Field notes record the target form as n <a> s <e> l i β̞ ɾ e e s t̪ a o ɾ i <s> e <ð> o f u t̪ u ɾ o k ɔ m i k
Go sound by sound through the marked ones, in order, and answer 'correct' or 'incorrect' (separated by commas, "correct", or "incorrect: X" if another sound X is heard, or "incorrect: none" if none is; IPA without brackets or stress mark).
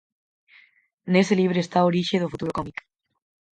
incorrect: e, correct, incorrect: ʃ, correct